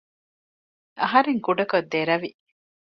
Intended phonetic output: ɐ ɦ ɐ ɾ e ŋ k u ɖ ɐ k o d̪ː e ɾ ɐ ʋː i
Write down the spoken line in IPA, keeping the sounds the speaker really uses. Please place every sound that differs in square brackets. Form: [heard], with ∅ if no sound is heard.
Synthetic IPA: ɐ ɦ ɐ ɾ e ŋ k u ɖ ɐ k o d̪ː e ɾ ɐ [ʋ] i